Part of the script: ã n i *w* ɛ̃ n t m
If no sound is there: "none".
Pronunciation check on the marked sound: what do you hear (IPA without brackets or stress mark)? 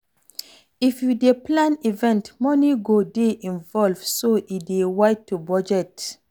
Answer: v